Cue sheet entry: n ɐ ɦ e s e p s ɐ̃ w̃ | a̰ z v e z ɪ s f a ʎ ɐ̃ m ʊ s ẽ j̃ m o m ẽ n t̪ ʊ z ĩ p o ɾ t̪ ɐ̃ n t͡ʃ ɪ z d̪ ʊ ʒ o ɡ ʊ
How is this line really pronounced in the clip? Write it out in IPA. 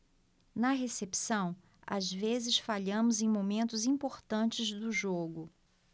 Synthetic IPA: n ɐ ɦ e s e p s ɐ̃ w̃ | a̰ z v e z ɪ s f a ʎ ɐ̃ m ʊ z ẽ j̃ m o m ẽ n t̪ ʊ z ĩ p o ɾ t̪ ɐ̃ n t͡ʃ ɪ z d̪ ʊ ʒ o ɡ ʊ